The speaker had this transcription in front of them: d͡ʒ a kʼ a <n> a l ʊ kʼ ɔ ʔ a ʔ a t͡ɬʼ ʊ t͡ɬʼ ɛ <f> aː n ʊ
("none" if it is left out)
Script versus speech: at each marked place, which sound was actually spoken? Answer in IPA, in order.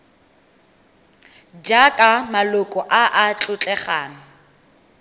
m, χ

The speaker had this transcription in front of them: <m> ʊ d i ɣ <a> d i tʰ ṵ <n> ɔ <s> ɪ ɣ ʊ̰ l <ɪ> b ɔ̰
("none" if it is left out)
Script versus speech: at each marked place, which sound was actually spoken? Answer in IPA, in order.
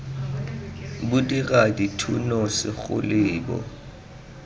b, a, n, s, ɪː

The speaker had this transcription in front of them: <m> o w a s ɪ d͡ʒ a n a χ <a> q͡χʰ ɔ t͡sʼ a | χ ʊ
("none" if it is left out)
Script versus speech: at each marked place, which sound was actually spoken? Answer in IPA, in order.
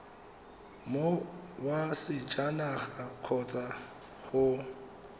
m, a

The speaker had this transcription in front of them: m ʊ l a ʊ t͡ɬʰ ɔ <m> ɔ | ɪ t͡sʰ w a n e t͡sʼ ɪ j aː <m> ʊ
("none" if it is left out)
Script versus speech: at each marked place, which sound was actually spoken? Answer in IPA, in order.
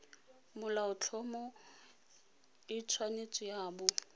m, b

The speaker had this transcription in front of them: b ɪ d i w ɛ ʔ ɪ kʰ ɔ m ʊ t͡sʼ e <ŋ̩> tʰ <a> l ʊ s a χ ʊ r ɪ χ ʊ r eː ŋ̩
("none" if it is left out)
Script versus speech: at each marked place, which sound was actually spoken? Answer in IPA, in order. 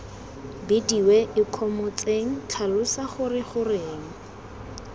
ŋ̩, a

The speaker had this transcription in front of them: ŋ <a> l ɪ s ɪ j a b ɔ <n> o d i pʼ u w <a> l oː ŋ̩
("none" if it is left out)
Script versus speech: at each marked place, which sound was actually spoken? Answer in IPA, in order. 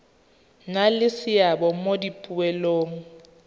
a, m, ɛ

